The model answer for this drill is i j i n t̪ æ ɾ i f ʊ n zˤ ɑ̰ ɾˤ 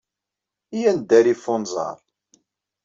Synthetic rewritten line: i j æ n d̪ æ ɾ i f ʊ n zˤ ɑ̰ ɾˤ

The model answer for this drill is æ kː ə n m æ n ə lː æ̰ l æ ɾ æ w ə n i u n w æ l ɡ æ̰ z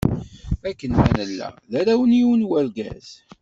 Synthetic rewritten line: æ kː ə n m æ n ə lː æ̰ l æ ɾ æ w ə n i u n w æ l ɡ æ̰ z

